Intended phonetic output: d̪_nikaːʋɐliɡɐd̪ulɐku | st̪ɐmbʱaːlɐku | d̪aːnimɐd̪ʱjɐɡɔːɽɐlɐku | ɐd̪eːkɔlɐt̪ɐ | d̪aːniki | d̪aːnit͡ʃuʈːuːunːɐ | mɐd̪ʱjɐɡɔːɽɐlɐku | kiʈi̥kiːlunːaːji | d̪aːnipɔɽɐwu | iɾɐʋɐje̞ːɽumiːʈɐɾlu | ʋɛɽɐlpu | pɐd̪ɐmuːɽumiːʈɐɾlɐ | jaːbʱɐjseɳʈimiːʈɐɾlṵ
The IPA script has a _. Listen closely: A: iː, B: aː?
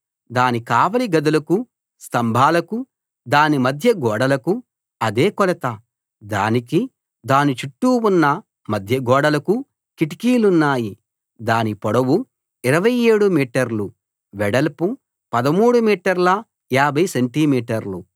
B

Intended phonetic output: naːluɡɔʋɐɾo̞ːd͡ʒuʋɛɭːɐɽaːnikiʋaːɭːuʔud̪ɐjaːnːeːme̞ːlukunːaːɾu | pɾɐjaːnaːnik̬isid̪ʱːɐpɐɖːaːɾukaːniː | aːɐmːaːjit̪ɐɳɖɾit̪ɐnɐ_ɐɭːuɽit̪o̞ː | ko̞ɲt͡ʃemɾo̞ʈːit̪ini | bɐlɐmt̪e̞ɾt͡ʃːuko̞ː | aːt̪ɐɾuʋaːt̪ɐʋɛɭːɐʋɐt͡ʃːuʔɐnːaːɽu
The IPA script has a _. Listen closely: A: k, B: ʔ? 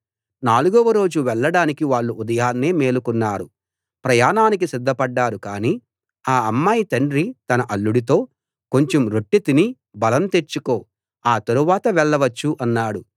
B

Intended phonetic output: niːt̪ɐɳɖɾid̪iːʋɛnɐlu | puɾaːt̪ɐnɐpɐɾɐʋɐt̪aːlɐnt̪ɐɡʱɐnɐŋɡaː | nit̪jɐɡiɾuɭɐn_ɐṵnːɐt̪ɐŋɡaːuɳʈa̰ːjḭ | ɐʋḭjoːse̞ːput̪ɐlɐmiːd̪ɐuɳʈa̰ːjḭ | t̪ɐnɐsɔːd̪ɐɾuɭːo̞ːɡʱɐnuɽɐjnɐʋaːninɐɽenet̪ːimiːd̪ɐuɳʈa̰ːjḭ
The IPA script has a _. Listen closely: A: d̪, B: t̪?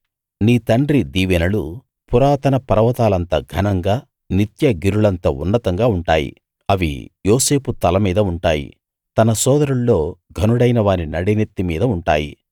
B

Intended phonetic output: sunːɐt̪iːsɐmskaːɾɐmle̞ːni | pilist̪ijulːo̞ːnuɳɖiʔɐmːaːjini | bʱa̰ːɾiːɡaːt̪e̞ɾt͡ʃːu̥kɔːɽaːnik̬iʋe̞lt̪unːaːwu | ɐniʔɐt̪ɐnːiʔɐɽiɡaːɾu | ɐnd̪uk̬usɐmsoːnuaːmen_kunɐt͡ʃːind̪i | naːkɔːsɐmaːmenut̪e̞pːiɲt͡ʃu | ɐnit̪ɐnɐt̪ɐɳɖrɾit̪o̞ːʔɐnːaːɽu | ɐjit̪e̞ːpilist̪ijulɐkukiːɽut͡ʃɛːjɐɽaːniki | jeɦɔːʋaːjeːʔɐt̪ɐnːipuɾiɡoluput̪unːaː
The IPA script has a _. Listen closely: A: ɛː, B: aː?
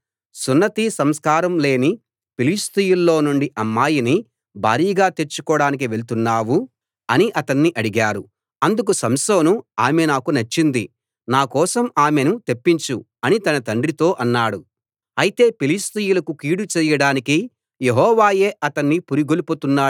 B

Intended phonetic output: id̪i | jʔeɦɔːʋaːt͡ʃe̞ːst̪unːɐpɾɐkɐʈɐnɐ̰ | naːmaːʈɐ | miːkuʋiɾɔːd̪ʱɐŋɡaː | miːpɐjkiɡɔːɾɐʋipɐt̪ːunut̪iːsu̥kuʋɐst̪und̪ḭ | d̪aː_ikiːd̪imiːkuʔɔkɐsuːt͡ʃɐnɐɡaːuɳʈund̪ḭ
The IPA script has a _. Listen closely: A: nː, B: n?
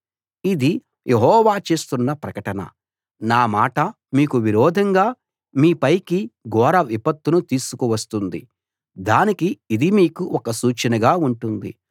B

